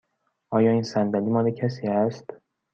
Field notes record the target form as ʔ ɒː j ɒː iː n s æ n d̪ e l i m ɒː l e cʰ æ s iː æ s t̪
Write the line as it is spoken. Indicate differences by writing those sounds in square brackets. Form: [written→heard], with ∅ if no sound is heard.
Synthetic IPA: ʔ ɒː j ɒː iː n s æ n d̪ [e→æ] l i m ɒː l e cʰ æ s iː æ s t̪